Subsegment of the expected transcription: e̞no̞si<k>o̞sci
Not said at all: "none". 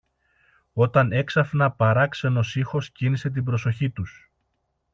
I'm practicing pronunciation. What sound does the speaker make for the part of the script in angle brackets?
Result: x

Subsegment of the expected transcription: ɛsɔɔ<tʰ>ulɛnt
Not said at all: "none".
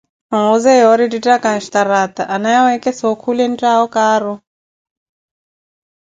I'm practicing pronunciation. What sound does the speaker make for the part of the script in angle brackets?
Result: kʰ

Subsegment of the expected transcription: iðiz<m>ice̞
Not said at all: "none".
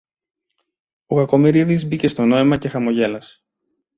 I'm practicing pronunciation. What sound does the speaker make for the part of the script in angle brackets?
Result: b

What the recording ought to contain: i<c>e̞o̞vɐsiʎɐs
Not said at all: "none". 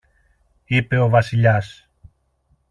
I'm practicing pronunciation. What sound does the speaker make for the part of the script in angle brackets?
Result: p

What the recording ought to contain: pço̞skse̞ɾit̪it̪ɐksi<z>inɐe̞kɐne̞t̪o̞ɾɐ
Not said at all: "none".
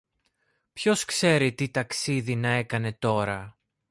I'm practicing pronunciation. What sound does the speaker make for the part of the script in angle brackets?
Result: ð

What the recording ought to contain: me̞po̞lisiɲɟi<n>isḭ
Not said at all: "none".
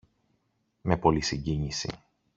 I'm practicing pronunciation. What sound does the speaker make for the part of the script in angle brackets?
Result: ɲ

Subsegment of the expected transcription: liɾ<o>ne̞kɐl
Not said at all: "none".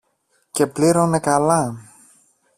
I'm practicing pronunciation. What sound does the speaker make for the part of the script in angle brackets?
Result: o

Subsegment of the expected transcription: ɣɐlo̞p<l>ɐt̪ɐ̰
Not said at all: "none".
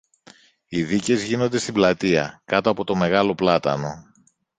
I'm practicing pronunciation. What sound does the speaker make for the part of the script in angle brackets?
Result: l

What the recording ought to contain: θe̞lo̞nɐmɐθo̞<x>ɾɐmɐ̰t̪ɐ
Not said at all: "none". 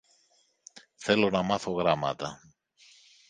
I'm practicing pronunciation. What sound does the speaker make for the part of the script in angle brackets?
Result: ɣ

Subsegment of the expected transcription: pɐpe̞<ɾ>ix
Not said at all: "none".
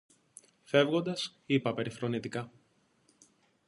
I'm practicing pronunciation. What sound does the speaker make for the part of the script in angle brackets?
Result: ɾ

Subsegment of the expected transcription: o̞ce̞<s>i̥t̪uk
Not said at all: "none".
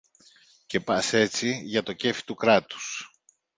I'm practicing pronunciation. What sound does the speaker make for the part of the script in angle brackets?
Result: f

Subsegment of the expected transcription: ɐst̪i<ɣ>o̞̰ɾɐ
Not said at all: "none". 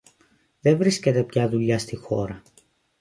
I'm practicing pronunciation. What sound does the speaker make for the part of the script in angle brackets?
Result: x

